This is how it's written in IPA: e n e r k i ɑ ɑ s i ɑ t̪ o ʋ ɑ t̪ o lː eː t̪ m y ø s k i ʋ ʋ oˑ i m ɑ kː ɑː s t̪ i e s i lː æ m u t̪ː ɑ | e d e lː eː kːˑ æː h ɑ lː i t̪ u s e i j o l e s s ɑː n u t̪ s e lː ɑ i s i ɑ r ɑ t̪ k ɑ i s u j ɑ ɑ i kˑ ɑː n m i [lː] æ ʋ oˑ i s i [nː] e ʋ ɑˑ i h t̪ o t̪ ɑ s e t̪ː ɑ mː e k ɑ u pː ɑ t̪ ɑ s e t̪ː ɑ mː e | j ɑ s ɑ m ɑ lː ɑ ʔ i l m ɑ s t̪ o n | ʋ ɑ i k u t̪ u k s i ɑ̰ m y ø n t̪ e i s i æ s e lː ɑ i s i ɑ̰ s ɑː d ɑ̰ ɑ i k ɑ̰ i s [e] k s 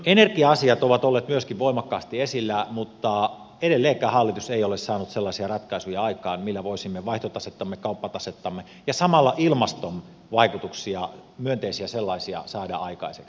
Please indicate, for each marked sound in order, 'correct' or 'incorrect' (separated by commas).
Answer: correct, incorrect, correct